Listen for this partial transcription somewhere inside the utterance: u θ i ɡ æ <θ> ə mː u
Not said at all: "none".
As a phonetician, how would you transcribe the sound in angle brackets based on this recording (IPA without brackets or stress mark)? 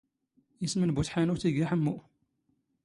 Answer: ħ